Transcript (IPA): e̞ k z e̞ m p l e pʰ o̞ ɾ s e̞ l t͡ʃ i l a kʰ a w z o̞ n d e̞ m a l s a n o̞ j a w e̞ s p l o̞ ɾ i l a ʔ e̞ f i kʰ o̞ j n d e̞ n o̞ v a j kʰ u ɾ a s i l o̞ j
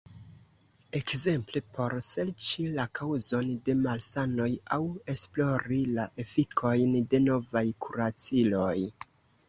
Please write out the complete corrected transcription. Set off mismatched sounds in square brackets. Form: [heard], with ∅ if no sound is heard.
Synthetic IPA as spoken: e̞ k z e̞ m p l e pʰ o̞ ɾ s e̞ l t͡ʃ i l a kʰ a w z o̞ n d e̞ m a l s a n o̞ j a w e̞ s p l o̞ ɾ i l a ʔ e̞ f i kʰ o̞ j n d e̞ n o̞ v a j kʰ u ɾ a [t͡s] i l o̞ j